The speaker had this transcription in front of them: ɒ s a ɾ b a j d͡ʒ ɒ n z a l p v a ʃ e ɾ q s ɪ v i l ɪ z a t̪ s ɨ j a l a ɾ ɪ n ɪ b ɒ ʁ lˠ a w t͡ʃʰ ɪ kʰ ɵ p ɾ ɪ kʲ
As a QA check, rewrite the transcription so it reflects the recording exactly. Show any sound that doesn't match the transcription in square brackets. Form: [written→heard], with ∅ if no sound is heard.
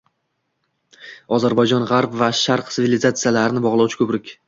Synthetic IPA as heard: ɒ [s→z] a ɾ b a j d͡ʒ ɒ n [z→ʁ] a [l→ɾ] p v a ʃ [e→a] ɾ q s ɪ v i l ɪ z a t̪ s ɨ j a l a ɾ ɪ n ɪ b ɒ ʁ lˠ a w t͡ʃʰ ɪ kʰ ɵ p ɾ ɪ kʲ